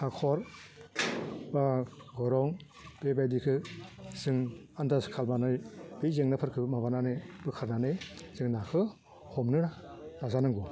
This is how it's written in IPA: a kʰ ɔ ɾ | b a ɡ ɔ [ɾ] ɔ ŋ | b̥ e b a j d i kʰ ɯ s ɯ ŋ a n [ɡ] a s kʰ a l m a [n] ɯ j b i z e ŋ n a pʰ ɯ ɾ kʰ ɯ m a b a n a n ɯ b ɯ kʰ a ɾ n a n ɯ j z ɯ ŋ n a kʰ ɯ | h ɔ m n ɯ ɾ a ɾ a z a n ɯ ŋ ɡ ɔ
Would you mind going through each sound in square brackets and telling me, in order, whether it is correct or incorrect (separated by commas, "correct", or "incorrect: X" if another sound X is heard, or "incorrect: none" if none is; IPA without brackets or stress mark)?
correct, incorrect: d, correct